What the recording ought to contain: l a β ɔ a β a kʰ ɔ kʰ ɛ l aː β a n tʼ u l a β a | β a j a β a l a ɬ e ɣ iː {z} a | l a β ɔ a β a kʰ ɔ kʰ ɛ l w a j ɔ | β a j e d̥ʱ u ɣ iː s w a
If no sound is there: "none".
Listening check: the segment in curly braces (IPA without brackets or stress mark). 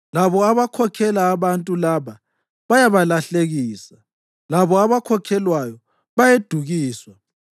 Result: s